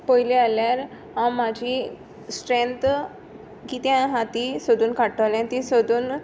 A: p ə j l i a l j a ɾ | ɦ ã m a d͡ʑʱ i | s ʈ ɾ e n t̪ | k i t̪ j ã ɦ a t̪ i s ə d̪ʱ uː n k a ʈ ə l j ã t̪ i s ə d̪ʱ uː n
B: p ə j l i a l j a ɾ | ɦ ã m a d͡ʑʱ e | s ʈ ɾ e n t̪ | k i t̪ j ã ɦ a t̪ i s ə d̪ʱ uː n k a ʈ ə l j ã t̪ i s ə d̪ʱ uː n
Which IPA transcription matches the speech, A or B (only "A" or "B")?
A